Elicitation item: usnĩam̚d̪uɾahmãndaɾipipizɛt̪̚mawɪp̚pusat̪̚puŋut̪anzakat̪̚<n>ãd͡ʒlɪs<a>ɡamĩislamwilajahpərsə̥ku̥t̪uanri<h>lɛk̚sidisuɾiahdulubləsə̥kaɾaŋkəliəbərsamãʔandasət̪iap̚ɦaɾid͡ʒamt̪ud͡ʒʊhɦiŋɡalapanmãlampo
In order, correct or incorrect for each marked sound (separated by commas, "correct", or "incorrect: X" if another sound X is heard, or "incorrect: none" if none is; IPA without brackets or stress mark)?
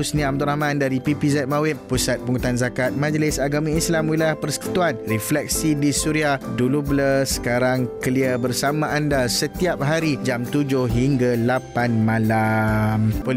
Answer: incorrect: m, correct, incorrect: f